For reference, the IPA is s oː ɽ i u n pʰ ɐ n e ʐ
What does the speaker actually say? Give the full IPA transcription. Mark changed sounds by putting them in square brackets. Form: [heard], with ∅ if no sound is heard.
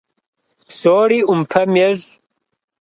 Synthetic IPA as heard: s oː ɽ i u [m] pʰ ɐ [m] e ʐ